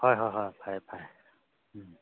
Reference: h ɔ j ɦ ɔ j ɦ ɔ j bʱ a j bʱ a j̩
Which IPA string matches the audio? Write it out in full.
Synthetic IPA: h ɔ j ɦ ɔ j ɦ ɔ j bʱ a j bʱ a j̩